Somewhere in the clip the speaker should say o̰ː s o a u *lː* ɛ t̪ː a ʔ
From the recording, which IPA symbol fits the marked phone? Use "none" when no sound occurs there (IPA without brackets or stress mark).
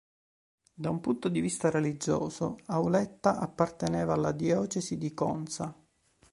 l